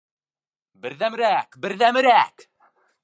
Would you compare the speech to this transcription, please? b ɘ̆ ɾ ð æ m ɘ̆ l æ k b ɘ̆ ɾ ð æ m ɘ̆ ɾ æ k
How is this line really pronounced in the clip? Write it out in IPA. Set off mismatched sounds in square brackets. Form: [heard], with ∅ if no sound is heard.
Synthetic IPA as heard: b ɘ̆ ɾ ð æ m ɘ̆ [ɾ] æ k b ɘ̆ ɾ ð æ m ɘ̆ ɾ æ k